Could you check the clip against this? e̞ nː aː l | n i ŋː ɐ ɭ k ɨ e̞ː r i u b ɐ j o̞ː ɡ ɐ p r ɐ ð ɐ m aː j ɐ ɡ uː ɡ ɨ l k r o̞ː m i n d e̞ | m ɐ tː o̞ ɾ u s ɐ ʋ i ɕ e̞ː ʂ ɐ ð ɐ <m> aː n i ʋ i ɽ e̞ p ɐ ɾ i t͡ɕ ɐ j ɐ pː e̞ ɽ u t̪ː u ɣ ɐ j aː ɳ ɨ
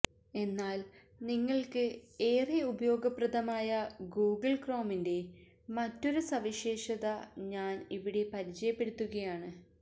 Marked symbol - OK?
no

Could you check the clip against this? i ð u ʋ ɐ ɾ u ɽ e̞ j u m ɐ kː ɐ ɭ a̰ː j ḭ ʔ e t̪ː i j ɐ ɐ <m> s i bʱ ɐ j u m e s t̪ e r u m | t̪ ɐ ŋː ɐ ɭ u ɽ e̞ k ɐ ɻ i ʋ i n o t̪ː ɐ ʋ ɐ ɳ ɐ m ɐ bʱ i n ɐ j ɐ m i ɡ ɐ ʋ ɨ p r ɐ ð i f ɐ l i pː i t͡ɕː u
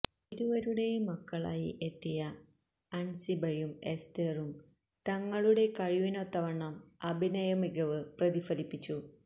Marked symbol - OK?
no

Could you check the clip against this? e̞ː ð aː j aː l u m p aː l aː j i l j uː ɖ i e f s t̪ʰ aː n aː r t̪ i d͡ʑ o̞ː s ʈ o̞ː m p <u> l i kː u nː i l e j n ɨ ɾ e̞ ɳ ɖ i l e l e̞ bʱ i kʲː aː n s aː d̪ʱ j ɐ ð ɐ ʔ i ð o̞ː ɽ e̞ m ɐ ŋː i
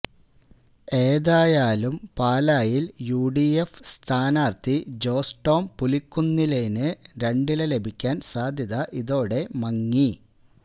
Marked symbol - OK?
yes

